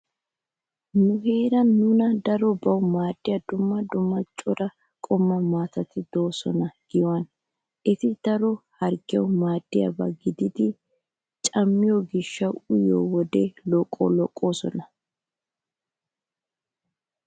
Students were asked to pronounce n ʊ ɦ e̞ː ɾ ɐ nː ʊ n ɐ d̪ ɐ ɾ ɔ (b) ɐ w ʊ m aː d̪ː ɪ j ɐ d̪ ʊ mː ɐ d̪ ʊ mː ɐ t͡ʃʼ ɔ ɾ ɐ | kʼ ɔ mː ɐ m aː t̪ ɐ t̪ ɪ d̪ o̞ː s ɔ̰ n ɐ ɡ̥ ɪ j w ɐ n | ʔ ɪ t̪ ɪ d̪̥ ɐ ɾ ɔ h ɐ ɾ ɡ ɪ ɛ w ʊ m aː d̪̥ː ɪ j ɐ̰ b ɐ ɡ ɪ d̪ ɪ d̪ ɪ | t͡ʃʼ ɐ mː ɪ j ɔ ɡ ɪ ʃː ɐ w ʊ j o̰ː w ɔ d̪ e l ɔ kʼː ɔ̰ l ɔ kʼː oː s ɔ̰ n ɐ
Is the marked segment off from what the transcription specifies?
no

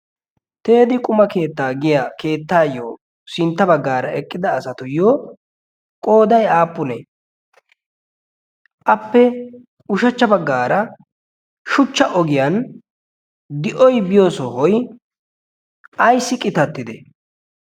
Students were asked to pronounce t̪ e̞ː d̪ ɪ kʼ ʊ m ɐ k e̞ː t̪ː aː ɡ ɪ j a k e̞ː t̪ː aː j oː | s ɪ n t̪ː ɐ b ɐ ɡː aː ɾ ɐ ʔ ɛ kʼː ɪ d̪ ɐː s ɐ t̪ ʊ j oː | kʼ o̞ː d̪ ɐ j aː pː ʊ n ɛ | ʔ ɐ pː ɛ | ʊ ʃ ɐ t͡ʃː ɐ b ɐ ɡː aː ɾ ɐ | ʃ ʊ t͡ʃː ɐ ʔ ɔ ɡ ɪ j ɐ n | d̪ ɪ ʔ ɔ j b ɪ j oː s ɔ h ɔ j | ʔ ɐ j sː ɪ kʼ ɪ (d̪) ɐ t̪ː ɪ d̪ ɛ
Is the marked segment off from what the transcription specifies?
yes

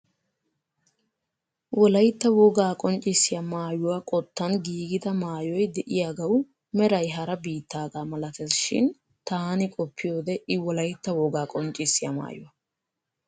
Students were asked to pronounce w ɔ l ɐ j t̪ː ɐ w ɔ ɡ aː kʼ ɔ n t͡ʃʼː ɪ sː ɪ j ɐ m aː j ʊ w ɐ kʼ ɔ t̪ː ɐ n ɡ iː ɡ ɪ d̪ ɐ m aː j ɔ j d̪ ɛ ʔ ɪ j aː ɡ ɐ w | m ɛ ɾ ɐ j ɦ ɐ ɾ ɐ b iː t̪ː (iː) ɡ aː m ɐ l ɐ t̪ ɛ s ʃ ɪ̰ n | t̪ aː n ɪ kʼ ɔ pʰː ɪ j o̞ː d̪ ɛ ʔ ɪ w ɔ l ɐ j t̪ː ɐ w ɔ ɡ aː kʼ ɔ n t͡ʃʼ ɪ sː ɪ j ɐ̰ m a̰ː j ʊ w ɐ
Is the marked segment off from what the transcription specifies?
yes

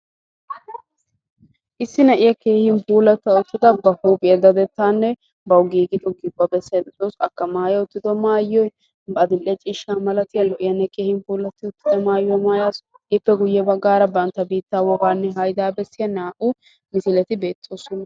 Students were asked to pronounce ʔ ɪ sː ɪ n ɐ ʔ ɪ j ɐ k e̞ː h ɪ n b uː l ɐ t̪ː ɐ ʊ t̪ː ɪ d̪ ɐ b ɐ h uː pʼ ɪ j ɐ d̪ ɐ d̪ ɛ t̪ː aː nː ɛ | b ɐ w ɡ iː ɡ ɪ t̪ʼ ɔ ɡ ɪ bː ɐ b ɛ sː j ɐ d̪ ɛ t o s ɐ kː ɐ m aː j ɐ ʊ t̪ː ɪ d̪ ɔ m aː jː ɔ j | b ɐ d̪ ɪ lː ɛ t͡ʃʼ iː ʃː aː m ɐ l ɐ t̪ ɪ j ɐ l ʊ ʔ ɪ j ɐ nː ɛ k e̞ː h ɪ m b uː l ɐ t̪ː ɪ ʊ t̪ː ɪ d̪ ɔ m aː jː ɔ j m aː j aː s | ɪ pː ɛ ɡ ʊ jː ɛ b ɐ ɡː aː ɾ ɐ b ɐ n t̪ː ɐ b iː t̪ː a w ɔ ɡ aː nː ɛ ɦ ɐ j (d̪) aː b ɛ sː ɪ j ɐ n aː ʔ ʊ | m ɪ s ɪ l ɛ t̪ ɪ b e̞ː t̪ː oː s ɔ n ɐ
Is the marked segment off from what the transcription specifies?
no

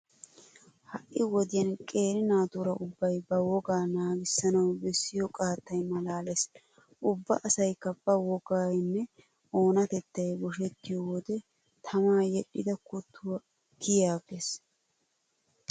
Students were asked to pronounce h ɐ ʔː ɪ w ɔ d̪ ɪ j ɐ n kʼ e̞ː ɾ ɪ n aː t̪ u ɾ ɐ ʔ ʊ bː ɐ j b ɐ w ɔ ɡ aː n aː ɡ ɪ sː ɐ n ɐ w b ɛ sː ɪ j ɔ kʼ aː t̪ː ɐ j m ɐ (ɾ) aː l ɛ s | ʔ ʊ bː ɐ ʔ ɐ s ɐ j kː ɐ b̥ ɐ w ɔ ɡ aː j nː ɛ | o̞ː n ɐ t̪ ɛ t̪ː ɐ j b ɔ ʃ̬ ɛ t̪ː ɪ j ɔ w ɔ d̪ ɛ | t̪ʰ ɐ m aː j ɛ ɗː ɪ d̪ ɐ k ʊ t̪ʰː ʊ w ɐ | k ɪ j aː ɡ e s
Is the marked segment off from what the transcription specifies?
yes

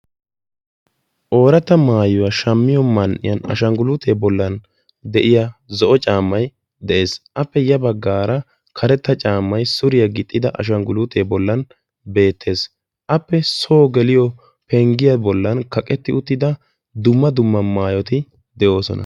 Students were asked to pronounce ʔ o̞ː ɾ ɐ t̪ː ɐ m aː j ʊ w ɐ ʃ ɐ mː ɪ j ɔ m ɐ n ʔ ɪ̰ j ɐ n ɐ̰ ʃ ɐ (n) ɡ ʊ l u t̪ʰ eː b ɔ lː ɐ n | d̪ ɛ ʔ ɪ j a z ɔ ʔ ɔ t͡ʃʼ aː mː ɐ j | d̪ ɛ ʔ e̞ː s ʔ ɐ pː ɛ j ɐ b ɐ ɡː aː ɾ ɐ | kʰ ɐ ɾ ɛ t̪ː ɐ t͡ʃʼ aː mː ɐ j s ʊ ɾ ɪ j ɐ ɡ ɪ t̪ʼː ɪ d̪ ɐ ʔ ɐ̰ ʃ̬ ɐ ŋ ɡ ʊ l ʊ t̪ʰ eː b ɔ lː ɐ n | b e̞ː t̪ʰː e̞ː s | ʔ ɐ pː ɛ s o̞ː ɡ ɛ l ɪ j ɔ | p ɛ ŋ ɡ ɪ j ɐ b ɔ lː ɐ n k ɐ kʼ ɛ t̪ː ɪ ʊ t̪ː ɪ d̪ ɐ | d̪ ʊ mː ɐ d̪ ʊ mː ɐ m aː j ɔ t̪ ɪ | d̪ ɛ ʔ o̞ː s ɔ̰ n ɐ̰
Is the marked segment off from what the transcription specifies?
yes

